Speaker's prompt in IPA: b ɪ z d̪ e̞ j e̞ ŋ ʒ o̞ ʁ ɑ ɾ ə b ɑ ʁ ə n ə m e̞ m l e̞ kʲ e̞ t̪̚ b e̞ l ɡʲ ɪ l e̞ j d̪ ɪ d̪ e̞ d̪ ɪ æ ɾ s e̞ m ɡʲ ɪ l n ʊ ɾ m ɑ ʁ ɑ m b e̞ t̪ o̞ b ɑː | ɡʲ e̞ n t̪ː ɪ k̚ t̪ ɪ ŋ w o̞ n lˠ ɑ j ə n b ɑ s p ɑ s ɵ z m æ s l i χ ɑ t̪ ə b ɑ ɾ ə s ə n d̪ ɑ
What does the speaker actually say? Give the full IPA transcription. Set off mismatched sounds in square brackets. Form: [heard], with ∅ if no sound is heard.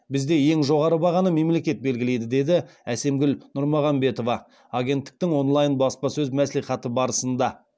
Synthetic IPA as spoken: b ɪ z d̪ e̞ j e̞ ŋ ʒ o̞ ʁ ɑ ɾ ə b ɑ ʁ [ɑ] n ə m e̞ m l e̞ kʲ e̞ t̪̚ b e̞ l ɡʲ ɪ l e̞ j d̪ ɪ d̪ e̞ d̪ ɪ æ [∅] s e̞ m ɡʲ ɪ l n ʊ ɾ m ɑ ʁ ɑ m b e̞ t̪ o̞ [v] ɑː | ɡʲ e̞ n t̪ː ɪ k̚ t̪ ɪ ŋ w o̞ n lˠ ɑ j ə n b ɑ s p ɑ s ɵ z m æ s l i χ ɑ t̪ ə b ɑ ɾ ə s ə n d̪ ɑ

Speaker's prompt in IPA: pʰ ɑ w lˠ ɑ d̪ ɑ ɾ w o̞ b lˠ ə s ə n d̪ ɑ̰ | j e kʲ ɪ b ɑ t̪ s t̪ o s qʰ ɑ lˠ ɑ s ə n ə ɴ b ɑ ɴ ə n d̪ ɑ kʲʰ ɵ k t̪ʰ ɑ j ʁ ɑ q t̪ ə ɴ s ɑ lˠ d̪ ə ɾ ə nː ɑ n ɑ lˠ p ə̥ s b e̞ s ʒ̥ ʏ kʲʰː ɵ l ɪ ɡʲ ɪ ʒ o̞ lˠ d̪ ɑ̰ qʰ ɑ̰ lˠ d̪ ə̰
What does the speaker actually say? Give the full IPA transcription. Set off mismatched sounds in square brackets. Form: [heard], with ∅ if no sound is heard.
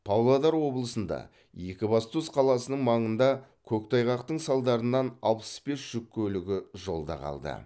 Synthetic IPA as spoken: pʰ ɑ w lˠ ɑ d̪ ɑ ɾ w o̞ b lˠ ə s ə n d̪ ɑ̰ | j e kʲ ɪ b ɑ [∅] s t̪ [u] s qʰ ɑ lˠ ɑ s ə n ə ɴ [m] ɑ ɴ ə n d̪ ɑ kʲʰ ɵ k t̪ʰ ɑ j ʁ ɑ q t̪ ə ɴ s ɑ lˠ d̪ [ɑ] ɾ ə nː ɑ n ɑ lˠ p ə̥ s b e̞ s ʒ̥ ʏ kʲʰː ɵ l ɪ ɡʲ ɪ ʒ o̞ lˠ d̪ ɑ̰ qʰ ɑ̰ lˠ d̪ ə̰

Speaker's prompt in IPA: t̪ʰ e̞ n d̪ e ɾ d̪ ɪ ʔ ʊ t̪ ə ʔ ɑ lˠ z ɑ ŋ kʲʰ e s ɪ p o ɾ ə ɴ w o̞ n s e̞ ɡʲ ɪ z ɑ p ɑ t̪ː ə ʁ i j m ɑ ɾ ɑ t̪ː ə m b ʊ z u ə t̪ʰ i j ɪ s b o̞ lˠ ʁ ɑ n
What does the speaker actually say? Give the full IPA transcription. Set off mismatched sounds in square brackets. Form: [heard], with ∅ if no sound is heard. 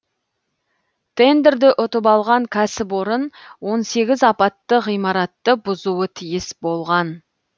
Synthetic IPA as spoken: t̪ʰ e̞ n d̪ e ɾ d̪ ɪ ʔ ʊ t̪ ə [p] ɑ lˠ [ʁ] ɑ ŋ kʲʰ [æ] s ɪ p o ɾ ə [n] w o̞ n s e̞ ɡʲ ɪ z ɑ p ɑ t̪ː ə ʁ i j m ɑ ɾ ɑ t̪ː ə [∅] b ʊ z u ə t̪ʰ i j ɪ s b o̞ lˠ ʁ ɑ n

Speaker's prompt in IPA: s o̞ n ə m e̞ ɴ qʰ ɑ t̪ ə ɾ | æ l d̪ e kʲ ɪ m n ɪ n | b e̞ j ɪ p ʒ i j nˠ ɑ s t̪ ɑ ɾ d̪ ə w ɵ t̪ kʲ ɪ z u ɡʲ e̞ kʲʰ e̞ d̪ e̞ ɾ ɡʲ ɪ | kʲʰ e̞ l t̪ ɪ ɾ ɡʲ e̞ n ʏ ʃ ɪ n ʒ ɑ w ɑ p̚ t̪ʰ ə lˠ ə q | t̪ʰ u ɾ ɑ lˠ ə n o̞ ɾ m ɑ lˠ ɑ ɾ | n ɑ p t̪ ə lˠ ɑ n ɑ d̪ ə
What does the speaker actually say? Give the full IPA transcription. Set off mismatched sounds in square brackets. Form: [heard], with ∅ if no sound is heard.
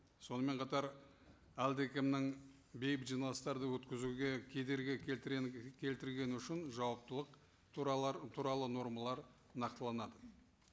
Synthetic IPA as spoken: s o̞ n ə m e̞ ɴ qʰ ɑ t̪ [ɑ] ɾ | æ l d̪ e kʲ ɪ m n ɪ [ŋ] | b e̞ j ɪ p ʒ i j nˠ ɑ s t̪ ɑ ɾ d̪ ə w ɵ t̪ kʲ ɪ z u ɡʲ e̞ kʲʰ e̞ d̪ e̞ ɾ ɡʲ ɪ | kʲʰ e̞ l t̪ ɪ ɾ ɡʲ e̞ n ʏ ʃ ɪ n ʒ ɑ w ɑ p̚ [t̪] ə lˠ ə q | t̪ʰ u ɾ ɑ lˠ ə n o̞ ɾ m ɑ lˠ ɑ ɾ | n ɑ [q] t̪ ə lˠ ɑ n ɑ d̪ ə

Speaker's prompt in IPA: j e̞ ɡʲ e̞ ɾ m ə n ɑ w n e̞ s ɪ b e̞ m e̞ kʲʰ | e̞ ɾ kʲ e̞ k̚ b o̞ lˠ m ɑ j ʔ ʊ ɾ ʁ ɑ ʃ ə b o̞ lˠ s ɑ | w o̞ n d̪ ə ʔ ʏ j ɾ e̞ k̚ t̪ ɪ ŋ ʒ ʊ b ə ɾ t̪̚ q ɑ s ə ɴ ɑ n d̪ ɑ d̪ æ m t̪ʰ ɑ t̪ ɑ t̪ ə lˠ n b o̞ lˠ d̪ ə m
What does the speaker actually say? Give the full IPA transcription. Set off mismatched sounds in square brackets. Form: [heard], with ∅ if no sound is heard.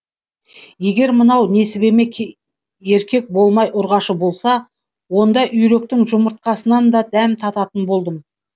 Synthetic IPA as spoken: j e̞ ɡʲ e̞ ɾ m ə n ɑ w n e̞ s ɪ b e̞ m e̞ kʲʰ | e̞ ɾ kʲ e̞ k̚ b o̞ lˠ m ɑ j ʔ ʊ ɾ ʁ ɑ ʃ ə b o̞ lˠ s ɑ | w o̞ n d̪ [ɑ] ʔ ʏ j ɾ e̞ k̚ t̪ ɪ ŋ ʒ ʊ [m] ə ɾ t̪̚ q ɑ s ə [n] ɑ n d̪ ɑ d̪ æ m t̪ʰ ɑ t̪ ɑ t̪ ə [∅] n b o̞ lˠ d̪ ə m

